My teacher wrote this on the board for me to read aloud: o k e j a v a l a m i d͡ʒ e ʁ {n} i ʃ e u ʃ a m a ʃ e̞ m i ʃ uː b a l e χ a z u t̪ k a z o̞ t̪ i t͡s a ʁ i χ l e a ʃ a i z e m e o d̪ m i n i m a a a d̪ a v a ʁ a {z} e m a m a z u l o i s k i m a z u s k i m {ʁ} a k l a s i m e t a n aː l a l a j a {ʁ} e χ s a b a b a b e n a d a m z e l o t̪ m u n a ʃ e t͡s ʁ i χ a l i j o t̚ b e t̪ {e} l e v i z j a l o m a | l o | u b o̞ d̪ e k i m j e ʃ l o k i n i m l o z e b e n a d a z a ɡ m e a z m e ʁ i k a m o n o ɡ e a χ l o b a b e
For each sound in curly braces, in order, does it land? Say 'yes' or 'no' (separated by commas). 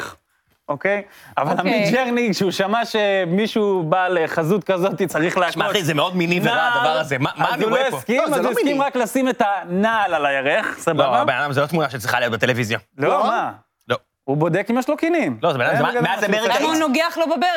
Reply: yes, yes, yes, yes, yes